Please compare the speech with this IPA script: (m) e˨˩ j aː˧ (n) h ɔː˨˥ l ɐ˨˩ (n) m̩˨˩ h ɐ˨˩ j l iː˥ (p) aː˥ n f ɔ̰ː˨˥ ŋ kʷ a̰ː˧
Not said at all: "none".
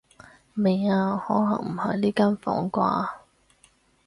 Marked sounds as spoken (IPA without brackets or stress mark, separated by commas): m, none, ŋ, k